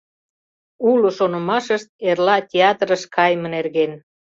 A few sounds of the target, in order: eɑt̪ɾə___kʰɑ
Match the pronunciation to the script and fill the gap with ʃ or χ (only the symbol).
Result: ʃ